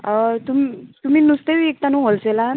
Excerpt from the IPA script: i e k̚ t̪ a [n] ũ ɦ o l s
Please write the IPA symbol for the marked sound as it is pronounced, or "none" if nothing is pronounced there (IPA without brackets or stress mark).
n